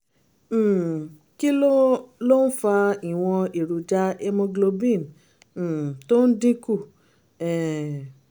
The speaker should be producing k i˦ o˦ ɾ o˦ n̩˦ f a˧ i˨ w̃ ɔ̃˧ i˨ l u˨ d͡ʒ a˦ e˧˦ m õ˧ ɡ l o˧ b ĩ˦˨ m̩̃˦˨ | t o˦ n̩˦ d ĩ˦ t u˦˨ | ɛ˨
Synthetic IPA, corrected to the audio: k i˦ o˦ l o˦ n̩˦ f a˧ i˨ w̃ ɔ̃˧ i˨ ɾ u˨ d͡ʒ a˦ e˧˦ m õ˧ ɡ l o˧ b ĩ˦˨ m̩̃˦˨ | t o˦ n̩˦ d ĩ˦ k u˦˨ | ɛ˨

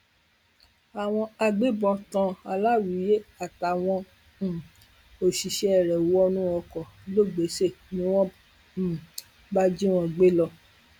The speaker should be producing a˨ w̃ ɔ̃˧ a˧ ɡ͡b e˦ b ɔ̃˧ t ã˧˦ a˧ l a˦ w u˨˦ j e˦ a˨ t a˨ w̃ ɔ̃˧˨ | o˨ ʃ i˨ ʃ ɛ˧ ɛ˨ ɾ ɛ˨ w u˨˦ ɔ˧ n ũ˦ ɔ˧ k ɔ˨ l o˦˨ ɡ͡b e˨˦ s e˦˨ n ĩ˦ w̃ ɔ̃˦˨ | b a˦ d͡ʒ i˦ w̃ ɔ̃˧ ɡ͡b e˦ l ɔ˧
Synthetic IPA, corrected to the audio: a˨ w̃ ɔ̃˧ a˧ ɡ͡b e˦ b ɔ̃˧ t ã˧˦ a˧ l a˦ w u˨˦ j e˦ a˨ t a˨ w̃ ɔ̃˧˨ | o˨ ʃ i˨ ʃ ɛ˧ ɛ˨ ɾ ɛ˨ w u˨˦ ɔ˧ n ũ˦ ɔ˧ k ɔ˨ l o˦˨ ɡ͡b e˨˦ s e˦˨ n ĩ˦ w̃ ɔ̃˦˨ | b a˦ d͡ʒ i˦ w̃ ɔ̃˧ ɡ͡b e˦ l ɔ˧

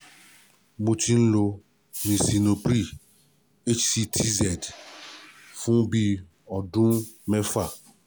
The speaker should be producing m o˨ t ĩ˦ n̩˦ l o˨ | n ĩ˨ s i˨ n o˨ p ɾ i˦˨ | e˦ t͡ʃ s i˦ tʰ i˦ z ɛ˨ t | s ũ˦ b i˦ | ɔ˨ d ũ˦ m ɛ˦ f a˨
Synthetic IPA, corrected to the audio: m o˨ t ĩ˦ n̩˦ l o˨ | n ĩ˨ s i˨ n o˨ p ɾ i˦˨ | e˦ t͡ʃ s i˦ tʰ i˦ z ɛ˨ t | f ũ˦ b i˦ | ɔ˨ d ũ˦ m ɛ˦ f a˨

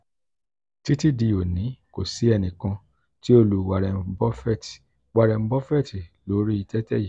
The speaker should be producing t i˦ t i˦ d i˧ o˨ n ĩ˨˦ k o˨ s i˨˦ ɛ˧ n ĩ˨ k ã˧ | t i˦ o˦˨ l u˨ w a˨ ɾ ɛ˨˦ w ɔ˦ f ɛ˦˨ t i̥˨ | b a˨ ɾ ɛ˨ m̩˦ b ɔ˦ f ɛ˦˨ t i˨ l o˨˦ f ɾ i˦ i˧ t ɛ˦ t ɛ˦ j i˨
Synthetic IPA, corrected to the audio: t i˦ t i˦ d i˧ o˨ n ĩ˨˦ k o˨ s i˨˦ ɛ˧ n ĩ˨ k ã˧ | t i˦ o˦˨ l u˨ w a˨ ɾ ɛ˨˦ b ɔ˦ f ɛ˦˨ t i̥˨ | w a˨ ɾ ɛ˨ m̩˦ b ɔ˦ f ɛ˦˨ t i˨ l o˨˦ ɾ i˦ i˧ t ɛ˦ t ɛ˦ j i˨

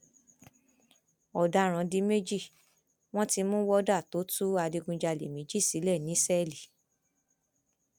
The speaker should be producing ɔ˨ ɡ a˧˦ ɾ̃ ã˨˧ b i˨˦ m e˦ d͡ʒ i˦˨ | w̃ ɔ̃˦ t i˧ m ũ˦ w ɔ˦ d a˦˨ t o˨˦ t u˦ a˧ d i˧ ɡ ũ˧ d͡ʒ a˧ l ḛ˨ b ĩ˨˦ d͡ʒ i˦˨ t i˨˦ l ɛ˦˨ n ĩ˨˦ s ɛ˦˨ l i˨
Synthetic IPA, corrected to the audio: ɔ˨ d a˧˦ ɾ̃ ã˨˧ d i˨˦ m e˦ d͡ʒ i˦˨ | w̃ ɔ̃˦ t i˧ m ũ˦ w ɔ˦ d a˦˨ t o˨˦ t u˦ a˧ d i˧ ɡ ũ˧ d͡ʒ a˧ l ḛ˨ m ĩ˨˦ d͡ʒ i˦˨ s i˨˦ l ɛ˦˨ n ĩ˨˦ s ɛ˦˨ l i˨

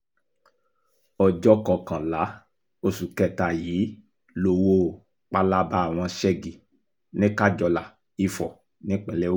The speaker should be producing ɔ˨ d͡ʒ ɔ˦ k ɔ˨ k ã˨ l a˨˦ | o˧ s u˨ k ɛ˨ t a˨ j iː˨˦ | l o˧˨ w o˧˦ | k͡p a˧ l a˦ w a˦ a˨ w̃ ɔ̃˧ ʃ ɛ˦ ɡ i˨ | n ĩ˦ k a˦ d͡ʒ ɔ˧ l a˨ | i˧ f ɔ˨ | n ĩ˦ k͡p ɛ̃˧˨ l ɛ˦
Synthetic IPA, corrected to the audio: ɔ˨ d͡ʒ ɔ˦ k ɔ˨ k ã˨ l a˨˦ | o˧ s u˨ k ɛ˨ t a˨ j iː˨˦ | l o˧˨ w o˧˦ | k͡p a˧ l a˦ b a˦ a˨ w̃ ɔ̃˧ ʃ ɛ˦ ɡ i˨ | n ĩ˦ k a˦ d͡ʒ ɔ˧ l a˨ | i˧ f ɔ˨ | n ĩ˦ k͡p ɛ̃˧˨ l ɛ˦

